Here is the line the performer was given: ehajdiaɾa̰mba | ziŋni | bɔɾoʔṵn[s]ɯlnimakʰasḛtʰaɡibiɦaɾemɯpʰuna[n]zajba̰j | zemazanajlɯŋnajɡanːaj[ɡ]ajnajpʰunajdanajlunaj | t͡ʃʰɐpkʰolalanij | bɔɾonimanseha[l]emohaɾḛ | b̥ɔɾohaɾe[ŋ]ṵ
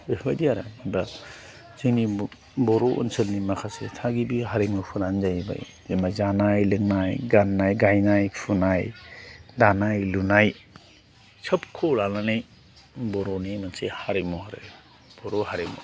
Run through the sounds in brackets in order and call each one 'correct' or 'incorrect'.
correct, correct, correct, incorrect: ɾ, incorrect: m

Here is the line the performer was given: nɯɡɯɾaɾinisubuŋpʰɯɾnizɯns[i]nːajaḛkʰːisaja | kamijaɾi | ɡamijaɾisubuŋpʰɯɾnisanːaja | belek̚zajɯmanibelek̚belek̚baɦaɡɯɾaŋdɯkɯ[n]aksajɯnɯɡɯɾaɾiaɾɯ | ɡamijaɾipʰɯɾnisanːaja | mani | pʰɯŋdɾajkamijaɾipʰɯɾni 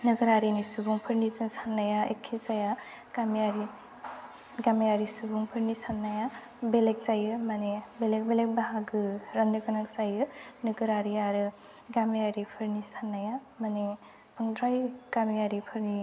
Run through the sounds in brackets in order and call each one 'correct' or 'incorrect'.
incorrect: a, correct

